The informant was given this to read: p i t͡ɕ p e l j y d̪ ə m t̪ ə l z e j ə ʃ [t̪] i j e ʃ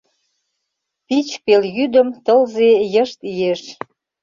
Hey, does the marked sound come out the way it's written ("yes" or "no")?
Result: yes